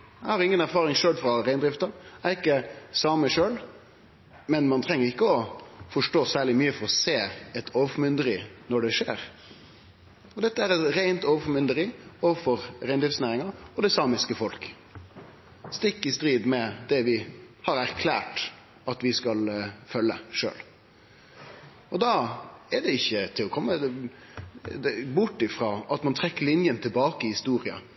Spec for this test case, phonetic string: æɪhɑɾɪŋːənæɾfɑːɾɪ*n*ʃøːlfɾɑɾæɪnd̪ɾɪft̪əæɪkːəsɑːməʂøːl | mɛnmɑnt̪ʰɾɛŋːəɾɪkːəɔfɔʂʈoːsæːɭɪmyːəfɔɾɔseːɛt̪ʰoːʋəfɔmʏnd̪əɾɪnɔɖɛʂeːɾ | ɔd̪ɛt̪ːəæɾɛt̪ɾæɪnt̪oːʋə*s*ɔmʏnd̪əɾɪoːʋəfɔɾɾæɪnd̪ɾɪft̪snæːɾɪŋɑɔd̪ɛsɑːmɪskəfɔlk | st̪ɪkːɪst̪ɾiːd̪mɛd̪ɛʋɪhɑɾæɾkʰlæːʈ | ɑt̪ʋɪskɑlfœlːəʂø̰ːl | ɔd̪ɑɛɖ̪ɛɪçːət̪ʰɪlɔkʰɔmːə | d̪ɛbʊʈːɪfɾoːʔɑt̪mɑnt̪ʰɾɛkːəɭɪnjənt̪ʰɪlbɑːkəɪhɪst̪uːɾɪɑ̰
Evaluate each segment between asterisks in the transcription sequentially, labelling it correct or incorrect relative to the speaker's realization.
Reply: incorrect, incorrect

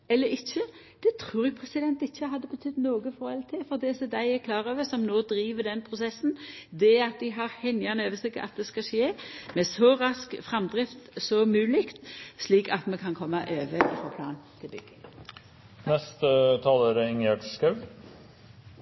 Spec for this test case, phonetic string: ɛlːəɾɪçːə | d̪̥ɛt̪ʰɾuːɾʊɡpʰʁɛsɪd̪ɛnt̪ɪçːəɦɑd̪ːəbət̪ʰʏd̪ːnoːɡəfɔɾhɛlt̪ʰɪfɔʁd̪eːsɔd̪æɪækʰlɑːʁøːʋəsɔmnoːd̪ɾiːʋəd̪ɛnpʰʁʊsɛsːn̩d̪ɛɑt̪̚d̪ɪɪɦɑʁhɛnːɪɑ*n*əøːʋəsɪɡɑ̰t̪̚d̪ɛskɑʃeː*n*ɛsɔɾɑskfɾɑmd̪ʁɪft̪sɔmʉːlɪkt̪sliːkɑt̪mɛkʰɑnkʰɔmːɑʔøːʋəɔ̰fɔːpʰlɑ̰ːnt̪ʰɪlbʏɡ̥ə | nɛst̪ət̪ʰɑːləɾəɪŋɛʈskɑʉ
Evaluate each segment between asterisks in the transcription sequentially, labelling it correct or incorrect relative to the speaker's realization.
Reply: correct, incorrect

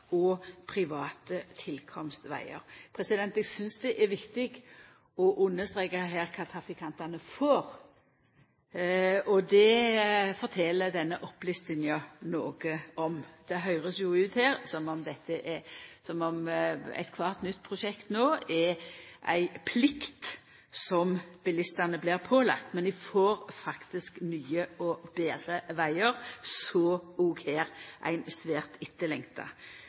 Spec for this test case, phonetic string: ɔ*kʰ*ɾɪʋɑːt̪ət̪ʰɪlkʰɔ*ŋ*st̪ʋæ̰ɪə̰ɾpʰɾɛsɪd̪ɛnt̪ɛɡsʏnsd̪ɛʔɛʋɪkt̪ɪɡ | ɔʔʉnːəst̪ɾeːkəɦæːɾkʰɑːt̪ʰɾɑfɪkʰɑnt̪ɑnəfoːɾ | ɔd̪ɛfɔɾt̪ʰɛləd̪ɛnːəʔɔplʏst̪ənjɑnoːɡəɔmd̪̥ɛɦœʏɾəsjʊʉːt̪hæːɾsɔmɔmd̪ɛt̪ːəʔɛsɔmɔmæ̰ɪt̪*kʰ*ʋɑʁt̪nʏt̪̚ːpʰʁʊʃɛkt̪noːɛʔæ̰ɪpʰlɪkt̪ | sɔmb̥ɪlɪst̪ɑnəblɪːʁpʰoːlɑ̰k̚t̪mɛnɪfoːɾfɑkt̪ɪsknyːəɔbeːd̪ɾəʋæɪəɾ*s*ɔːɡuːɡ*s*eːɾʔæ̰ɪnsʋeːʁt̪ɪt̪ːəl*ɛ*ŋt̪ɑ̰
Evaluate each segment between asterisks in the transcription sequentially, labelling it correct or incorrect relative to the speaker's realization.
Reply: incorrect, incorrect, correct, correct, incorrect, correct

